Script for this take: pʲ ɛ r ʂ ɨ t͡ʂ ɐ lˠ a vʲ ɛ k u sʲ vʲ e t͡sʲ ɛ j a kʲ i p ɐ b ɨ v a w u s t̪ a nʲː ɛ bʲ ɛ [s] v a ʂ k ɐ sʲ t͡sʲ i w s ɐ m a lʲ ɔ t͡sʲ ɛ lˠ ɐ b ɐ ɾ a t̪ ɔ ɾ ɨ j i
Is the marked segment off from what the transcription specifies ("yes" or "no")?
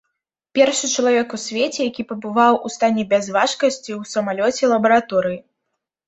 yes